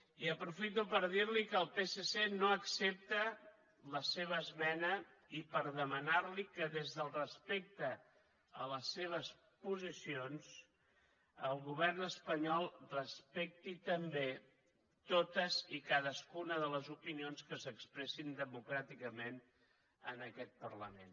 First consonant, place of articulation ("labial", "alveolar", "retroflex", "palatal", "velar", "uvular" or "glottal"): labial